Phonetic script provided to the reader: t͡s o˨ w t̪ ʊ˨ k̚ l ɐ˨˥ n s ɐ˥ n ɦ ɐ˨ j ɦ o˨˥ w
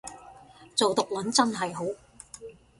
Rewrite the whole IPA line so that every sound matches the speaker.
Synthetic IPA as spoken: t͡s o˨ w t̪ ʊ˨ k̚ l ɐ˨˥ n t͡s ɐ˥ n ɦ ɐ˨ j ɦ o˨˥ w

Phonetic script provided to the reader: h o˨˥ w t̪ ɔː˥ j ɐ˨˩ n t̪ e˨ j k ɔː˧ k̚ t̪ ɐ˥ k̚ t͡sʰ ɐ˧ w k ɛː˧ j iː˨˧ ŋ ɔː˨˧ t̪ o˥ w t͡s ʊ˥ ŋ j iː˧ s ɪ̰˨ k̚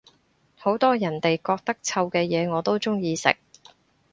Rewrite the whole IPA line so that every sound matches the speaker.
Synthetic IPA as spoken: h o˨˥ w t̪ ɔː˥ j ɐ˨˩ n t̪ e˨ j k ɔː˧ k̚ t̪ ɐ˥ k̚ t͡sʰ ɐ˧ w k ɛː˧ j ɛː˨˧ ŋ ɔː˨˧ t̪ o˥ w t͡s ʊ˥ ŋ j iː˧ s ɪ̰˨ k̚

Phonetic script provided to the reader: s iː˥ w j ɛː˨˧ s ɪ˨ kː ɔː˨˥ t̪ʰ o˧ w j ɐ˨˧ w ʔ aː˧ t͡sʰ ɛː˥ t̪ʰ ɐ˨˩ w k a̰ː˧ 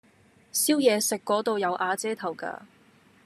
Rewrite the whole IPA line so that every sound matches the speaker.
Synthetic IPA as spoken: s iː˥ w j ɛː˨˧ s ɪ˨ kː ɔː˨˥ t̪ o˧ w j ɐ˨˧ w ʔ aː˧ t͡s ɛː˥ t̪ʰ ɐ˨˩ w k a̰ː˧

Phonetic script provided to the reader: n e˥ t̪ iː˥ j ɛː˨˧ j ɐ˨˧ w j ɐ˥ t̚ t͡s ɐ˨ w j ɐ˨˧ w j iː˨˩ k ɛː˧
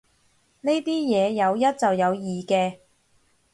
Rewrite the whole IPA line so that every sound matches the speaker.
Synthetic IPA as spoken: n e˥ t̪ iː˥ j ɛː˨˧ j ɐ˨˧ w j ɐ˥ t̚ t͡s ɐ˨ w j ɐ˨˧ w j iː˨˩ k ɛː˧

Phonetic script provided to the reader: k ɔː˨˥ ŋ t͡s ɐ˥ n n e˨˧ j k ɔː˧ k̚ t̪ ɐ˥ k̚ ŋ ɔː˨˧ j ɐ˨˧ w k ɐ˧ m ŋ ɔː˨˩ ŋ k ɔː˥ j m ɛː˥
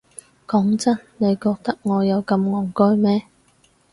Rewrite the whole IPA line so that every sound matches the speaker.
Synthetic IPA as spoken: k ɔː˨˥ ŋ t͡s ɐ˥ n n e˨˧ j k ɔː˧ k̚ t̪ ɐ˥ k̚ ŋ ɔː˨˧ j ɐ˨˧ w k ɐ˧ m ŋ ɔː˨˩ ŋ k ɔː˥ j m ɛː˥

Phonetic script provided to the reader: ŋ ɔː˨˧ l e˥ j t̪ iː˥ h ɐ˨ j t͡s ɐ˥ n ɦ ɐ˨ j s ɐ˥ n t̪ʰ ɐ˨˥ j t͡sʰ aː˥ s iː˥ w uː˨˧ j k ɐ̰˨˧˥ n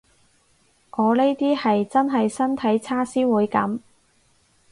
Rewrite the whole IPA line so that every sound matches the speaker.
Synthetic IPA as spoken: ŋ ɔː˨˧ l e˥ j t̪ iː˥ h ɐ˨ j t͡s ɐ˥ n ɦ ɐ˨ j s ɐ˥ n t̪ʰ ɐ˨˥ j t͡sʰ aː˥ s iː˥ w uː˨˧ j k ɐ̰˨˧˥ m

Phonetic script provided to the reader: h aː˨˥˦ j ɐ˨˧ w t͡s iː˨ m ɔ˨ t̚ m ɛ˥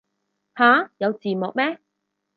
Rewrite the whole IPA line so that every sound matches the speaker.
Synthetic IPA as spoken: h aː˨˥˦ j ɐ˨˧ w t͡s iː˨ m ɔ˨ k̚ m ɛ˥

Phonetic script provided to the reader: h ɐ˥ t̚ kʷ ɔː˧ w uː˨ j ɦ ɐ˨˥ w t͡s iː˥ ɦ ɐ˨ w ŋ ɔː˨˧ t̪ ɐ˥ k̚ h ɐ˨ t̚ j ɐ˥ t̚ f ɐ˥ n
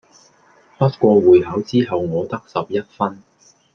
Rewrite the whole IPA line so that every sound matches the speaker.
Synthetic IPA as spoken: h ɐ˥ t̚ kʷ ɔː˧ w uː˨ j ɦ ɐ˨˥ w t͡s iː˥ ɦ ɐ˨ w ŋ ɔː˨˧ t̪ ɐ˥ k̚ s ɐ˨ p̚ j ɐ˥ t̚ f ɐ˥ n

